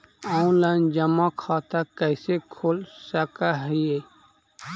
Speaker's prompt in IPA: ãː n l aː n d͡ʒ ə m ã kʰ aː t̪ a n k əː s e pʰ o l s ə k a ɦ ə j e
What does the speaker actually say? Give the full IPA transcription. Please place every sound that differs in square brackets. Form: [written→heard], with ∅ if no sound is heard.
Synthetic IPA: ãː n l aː n d͡ʒ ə m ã kʰ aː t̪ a [n→∅] k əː s e [pʰ→kʰ] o l s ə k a ɦ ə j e

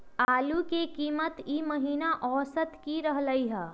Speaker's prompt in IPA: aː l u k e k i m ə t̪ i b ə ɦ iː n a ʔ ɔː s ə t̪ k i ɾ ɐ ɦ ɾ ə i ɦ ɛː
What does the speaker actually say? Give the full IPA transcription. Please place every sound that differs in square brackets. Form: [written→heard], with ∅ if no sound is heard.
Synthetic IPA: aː l u k e k [i→iː] m ə t̪ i [b→m] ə ɦ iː n a ʔ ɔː s ə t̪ k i ɾ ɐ ɦ [ɾ→l] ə i ɦ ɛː

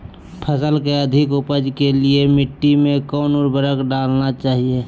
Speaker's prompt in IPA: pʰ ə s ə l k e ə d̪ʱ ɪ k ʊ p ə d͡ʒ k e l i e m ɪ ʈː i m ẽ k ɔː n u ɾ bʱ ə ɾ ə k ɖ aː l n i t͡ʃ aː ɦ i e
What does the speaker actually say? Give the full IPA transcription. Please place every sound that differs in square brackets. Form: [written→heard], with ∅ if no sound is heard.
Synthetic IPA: pʰ ə s ə l k e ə d̪ʱ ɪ k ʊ p ə d͡ʒ k e l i e m ɪ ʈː i m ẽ k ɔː n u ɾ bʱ ə ɾ ə k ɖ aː l n [i→a] t͡ʃ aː ɦ i e

